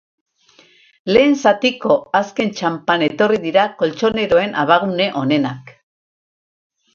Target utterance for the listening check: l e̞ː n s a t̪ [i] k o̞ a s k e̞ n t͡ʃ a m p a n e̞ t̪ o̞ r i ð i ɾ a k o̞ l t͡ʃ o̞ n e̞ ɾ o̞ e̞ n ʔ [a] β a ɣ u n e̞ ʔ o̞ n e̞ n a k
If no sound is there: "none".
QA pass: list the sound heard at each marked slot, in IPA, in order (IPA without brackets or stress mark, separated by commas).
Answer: i, a